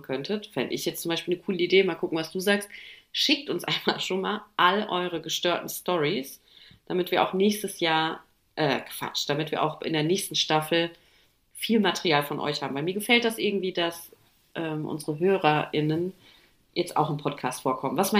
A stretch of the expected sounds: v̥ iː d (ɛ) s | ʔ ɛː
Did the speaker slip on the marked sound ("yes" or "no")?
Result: yes